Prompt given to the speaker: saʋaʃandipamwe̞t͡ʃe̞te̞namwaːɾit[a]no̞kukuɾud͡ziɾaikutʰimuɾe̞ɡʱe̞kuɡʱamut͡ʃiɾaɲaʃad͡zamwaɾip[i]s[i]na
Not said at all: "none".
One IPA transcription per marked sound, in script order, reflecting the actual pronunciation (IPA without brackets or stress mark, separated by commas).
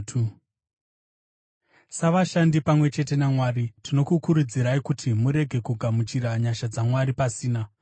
i, a, iː